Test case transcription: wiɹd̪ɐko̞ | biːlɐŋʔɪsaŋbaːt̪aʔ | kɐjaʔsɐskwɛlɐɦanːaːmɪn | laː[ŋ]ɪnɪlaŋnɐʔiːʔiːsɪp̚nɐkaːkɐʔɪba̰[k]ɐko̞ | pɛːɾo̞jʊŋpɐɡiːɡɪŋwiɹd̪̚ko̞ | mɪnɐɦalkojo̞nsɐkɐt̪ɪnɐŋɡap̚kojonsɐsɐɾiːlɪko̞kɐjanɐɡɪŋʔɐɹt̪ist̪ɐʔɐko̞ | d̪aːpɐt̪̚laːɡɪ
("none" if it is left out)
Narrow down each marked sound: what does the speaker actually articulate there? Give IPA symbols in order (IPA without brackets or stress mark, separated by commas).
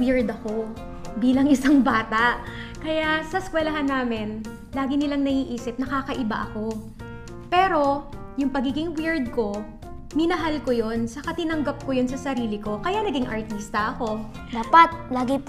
ɡ, ʔ